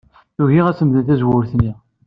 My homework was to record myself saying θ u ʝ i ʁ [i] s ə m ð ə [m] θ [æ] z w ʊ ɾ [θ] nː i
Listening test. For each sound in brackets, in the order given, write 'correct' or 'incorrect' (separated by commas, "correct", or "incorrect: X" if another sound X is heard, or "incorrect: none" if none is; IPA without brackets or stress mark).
incorrect: æ, incorrect: n, correct, correct